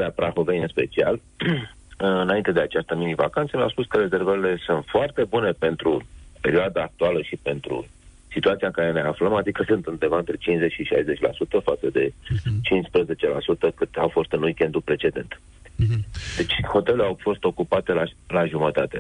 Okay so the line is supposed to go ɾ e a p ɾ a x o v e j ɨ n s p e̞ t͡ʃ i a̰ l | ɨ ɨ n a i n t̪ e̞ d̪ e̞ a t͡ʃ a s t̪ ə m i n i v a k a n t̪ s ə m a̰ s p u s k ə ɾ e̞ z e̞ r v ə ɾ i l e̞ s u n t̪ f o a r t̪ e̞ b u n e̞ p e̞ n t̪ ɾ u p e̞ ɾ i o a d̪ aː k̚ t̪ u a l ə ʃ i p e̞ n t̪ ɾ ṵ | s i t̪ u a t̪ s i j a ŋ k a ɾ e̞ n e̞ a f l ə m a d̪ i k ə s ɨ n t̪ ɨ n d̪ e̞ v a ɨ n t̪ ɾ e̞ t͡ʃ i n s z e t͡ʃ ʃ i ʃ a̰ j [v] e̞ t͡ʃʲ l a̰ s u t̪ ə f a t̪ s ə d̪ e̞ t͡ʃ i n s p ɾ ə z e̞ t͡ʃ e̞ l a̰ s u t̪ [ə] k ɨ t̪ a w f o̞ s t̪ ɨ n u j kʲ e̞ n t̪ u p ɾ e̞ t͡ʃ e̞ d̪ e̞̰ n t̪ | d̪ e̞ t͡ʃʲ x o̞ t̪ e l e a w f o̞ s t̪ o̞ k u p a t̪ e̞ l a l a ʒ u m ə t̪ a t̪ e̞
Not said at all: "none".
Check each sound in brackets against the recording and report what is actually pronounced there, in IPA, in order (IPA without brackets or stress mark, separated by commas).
z, ə